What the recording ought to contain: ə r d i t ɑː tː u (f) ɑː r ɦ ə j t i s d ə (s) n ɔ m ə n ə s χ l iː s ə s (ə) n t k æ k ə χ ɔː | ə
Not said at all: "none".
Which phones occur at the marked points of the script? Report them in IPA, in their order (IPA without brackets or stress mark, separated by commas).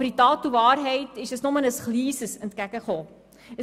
v, s, ə